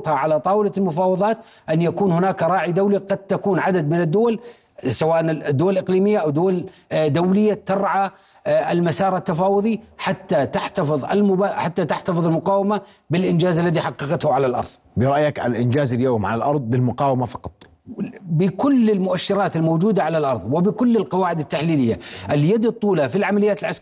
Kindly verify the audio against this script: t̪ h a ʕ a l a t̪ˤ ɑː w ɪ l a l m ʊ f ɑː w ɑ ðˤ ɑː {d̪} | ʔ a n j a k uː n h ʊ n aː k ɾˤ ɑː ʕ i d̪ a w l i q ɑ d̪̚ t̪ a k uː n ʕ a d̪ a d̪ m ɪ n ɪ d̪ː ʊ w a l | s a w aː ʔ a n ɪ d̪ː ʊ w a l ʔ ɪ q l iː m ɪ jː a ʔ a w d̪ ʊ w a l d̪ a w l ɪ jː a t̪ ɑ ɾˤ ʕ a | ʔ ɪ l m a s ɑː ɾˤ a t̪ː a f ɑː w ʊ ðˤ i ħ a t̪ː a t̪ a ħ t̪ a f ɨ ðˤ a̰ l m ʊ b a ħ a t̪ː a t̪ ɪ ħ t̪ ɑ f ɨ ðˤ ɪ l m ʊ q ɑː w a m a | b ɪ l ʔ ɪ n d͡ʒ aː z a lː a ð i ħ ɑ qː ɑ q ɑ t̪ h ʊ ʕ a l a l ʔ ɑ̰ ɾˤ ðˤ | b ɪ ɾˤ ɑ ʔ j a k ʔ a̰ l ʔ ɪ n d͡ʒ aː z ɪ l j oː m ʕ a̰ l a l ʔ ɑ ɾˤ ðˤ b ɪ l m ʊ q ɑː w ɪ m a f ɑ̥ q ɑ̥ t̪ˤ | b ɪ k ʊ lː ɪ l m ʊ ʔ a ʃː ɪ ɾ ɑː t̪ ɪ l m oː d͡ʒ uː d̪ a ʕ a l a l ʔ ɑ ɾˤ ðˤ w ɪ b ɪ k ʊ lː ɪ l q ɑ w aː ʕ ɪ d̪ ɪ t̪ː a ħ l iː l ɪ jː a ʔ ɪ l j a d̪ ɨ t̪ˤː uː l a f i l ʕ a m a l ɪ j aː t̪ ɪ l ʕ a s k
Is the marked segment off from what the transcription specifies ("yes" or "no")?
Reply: yes